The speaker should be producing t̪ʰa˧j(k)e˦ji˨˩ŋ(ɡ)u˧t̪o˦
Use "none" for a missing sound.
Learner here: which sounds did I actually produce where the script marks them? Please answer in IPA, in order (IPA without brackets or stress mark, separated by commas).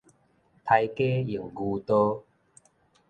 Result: k, ɡ